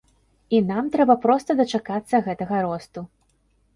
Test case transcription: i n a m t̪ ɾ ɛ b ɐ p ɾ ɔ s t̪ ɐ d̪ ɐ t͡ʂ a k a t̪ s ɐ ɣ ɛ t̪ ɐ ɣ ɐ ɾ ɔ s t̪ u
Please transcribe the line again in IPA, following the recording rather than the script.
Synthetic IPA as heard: i n a m t̪ ɾ ɛ b ɐ p ɾ ɔ s t̪ ɐ d̪ ɐ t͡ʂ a k a t̪ sː ɐ ɣ ɛ t̪ ɐ ɣ ɐ ɾ ɔ s t̪ u